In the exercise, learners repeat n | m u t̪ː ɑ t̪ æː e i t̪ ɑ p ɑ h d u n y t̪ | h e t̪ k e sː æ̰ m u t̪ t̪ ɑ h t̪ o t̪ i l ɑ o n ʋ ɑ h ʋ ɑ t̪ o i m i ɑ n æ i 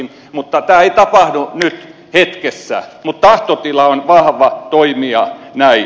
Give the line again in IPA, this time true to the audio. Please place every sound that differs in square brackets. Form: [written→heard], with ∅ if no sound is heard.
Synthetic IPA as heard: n | m u t̪ː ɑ t̪ æː e i t̪ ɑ p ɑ h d u n y t̪ | h e t̪ k e sː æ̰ m u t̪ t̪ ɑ h t̪ o t̪ i l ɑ o n ʋ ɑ h ʋ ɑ t̪ o i m i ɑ n æ i

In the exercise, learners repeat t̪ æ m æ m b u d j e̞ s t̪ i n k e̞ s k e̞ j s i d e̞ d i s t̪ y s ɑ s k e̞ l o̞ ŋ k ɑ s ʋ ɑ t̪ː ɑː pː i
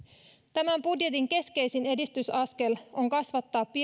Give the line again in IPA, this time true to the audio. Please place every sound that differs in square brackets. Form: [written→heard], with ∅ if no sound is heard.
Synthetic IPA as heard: t̪ æ m æ m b u d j e̞ [s→∅] t̪ i [n→ŋ] k e̞ s k e̞ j s i [d→n] e̞ d i s t̪ y s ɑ s k e̞ l o̞ ŋ k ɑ s ʋ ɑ t̪ː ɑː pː i

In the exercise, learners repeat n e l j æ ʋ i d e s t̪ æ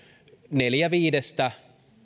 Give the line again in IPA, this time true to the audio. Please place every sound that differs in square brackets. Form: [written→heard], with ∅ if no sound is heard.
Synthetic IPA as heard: n e l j æ ʋ [i→iː] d e s t̪ æ

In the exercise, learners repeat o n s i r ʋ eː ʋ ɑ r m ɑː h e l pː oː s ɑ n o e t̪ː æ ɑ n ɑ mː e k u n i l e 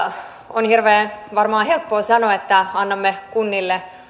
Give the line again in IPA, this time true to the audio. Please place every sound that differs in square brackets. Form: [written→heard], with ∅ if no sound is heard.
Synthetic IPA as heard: o n [s→h] i r ʋ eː ʋ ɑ r m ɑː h e l pː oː s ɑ n o e t̪ː æ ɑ [n→nː] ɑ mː e k u [n→nː] i [l→lː] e

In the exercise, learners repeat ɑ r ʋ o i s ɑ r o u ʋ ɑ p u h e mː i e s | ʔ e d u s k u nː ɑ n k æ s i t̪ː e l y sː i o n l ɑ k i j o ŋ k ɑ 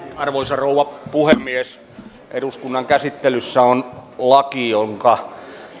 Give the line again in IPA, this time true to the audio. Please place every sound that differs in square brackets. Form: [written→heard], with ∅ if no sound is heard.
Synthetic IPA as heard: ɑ r ʋ o i s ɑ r o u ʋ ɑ p u h e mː i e s | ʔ e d u s k u nː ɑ [n→ŋ] k æ s i t̪ː e l y sː [i→æ] o n l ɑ k i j o ŋ k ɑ

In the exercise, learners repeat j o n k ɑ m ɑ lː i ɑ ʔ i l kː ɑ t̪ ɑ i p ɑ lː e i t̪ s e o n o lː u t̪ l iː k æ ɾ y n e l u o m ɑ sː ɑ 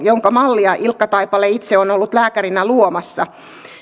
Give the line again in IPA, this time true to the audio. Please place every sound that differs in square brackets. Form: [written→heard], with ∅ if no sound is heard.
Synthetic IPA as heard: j o [n→ŋ] k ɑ m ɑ lː i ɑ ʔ i l kː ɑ t̪ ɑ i p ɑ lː e i t̪ s e o n o lː u t̪ l [iː→æː] k æ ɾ [y→i] n [e→æ] l u o m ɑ sː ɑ

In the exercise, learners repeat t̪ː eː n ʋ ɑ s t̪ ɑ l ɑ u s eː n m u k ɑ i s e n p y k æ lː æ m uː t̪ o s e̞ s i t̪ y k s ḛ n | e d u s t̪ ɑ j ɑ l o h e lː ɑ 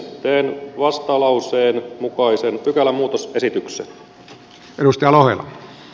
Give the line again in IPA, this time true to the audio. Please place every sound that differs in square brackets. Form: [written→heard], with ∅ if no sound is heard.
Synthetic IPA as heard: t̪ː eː n ʋ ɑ s t̪ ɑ l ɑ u s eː n m u k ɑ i s e n p y k æ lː æ m uː t̪ o s e̞ s i t̪ y k s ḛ n | e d u s t̪ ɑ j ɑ l o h e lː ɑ

